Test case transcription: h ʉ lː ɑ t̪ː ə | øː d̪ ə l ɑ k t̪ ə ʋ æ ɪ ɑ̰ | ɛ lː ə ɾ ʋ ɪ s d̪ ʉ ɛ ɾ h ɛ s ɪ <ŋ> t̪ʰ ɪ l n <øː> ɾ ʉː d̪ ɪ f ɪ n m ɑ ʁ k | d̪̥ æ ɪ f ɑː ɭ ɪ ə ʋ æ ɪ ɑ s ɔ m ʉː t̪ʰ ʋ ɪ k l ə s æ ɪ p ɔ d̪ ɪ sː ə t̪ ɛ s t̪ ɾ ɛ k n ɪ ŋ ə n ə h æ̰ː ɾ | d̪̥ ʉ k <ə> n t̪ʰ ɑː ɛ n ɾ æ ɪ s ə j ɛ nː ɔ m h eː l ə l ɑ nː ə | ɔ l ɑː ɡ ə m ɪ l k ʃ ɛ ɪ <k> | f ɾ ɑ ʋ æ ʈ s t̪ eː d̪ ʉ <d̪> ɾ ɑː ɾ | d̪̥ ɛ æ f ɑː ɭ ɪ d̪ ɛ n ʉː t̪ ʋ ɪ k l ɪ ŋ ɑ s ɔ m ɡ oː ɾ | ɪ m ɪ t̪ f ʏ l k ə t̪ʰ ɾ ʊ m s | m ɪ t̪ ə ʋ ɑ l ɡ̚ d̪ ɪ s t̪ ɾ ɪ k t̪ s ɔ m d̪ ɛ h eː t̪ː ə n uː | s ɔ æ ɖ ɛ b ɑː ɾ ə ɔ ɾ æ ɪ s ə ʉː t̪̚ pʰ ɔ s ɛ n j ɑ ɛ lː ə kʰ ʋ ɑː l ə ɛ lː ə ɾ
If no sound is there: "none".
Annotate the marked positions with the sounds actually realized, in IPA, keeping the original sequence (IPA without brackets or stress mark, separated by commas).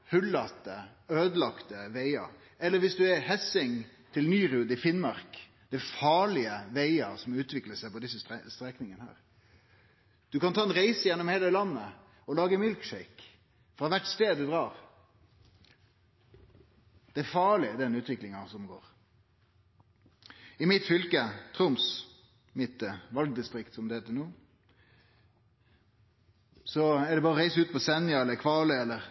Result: ŋ, yː, ɑ, k, d̪